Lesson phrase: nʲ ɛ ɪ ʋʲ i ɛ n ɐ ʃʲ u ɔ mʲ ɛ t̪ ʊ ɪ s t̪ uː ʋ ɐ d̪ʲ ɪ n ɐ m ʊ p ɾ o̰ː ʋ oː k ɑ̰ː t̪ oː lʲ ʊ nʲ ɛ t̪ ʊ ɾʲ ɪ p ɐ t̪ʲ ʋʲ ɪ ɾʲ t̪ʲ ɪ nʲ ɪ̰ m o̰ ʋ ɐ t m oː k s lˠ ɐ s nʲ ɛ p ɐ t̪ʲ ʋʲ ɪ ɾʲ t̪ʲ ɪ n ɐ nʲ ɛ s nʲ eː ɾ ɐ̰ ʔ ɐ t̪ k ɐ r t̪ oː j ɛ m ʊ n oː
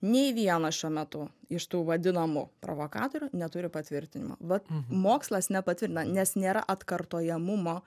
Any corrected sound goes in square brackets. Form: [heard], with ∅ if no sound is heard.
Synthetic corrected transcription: nʲ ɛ ɪ ʋʲ i ɛ n ɐ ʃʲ u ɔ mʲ ɛ t̪ ʊ ɪ [ʃ] t̪ uː ʋ ɐ d̪ʲ ɪ n ɐ m ʊ p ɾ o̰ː ʋ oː k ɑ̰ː t̪ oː [ɾʲ] ʊ nʲ ɛ t̪ ʊ ɾʲ ɪ p ɐ t̪ʲ ʋʲ ɪ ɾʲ t̪ʲ ɪ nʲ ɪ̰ m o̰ ʋ ɐ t m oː k s lˠ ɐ s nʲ ɛ p ɐ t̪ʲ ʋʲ ɪ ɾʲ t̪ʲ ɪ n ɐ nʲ ɛ s nʲ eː ɾ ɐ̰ ʔ ɐ t̪ k ɐ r t̪ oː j ɛ m ʊ [m] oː